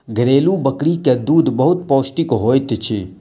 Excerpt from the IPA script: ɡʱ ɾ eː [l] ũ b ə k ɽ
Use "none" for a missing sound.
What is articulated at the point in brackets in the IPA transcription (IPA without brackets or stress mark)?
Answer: l